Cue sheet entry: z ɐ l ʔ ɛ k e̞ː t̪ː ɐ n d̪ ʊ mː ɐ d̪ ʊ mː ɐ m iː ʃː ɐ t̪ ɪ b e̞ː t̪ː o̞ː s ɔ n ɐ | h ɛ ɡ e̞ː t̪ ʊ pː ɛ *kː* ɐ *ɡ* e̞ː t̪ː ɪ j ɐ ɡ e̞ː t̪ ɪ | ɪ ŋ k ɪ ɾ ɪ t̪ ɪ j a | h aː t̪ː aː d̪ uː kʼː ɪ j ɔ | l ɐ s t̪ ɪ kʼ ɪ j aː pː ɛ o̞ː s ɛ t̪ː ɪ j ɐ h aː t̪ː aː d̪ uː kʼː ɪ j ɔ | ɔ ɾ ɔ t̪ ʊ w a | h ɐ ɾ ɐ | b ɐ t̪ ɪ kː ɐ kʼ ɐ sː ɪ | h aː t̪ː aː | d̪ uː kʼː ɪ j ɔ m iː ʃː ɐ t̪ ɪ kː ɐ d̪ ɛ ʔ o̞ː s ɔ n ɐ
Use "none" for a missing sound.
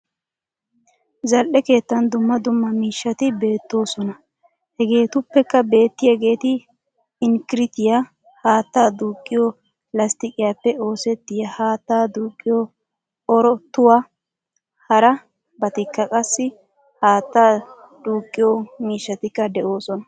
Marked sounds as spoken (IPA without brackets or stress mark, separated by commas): kː, b